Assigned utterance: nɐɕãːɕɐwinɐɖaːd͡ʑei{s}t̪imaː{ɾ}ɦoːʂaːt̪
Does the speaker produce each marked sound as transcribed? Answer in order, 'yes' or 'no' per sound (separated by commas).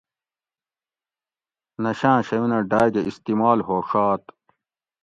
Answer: yes, no